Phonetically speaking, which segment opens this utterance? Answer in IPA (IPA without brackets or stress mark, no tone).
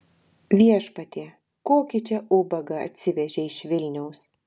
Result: ʋʲ